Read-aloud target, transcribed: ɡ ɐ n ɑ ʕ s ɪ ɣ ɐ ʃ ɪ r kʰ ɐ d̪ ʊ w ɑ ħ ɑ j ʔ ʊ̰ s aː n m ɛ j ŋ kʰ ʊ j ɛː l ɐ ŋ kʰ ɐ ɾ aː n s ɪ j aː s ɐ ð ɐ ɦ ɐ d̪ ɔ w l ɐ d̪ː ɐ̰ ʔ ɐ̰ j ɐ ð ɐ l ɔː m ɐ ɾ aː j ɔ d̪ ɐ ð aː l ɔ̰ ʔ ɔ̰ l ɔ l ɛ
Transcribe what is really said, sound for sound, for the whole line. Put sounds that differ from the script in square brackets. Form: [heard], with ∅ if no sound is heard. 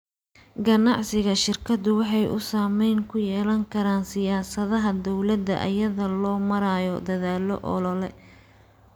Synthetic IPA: ɡ ɐ n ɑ ʕ s ɪ ɣ ɐ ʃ ɪ r kʰ ɐ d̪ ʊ w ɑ ħ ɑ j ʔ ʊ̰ s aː [∅] m ɛ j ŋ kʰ ʊ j ɛː l ɐ ŋ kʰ ɐ ɾ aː n s ɪ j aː s ɐ ð ɐ ɦ ɐ d̪ ɔ w l ɐ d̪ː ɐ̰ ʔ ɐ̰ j ɐ ð ɐ l ɔː m ɐ ɾ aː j ɔ d̪ ɐ ð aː l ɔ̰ ʔ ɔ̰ l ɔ l ɛ